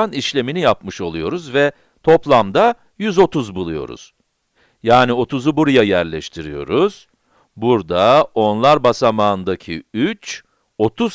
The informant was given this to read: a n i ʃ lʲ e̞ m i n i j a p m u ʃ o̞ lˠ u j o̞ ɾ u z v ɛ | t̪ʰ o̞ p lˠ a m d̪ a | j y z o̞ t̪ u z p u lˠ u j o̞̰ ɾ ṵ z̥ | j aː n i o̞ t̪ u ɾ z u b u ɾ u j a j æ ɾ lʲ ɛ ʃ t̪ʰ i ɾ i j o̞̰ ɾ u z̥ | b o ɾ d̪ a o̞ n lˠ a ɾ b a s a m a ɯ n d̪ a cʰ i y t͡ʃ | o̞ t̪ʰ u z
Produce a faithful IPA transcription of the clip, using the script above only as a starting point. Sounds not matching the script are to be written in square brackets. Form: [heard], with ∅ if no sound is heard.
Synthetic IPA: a n i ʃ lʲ e̞ m i n i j a p m [ɯ] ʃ o̞ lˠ u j o̞ ɾ u z v ɛ | t̪ʰ o̞ p lˠ a m d̪ a | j y z o̞ t̪ u z [b] u lˠ u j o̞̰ ɾ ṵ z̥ | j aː n i o̞ t̪ u [∅] z u b u ɾ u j a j æ ɾ lʲ ɛ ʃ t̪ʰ i ɾ i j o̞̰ ɾ u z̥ | b [u] ɾ d̪ a o̞ n lˠ a ɾ b a s a m a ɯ n d̪ a cʰ i y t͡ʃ | o̞ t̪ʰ u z